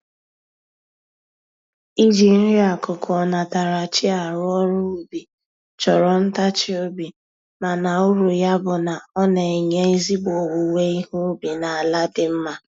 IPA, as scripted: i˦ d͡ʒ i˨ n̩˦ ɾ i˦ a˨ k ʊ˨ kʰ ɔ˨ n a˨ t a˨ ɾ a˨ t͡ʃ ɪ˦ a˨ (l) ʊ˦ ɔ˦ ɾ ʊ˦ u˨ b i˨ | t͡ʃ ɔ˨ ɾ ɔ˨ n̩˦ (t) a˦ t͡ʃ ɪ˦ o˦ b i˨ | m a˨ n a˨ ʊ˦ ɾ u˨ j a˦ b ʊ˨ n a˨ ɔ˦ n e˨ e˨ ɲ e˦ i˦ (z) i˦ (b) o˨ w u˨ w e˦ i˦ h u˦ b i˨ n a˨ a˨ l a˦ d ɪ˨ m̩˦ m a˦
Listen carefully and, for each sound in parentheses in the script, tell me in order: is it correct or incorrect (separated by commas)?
incorrect, correct, correct, correct